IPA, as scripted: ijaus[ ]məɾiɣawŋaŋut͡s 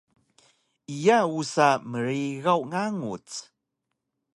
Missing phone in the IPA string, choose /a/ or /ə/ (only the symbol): a